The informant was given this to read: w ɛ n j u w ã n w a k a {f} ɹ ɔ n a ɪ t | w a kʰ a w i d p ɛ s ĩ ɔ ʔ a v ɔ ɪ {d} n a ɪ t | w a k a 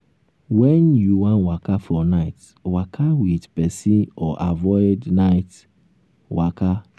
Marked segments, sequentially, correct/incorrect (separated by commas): correct, correct